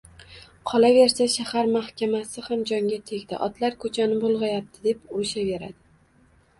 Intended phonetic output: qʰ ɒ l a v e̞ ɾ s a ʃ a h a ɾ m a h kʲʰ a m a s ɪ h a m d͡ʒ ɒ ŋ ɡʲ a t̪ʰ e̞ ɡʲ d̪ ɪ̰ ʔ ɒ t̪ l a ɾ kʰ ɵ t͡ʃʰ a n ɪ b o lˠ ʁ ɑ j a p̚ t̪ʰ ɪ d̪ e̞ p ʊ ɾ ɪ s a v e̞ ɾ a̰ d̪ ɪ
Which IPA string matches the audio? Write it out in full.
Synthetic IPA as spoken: qʰ ɒ l a v e̞ ɾ s a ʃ a h a ɾ m a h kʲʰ a m a s ɪ h a m d͡ʒ ɒ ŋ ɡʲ a t̪ʰ e̞ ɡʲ d̪ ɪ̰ ʔ ɒ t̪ l a ɾ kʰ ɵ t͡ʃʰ a n ɪ b o lˠ ʁ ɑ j a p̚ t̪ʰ ɪ d̪ e̞ p ʊ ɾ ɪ ʃ a v e̞ ɾ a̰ d̪ ɪ